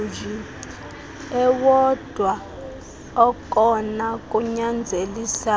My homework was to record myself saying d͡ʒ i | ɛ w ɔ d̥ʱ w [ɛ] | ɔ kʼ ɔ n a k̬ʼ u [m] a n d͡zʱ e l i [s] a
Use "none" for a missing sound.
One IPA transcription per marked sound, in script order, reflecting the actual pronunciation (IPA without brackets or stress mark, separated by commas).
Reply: a, ɲ, s